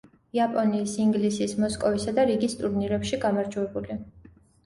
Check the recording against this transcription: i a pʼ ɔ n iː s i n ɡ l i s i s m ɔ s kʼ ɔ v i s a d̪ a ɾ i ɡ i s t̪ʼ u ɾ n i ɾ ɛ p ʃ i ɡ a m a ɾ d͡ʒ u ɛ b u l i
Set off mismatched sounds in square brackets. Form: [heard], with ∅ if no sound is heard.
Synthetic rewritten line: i a pʼ ɔ n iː s i [ŋ] ɡ l i s i s m ɔ s kʼ ɔ v i s a d̪ a ɾ i ɡ i s t̪ʼ u ɾ n i ɾ ɛ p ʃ i ɡ a m a ɾ d͡ʒ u ɛ b u l i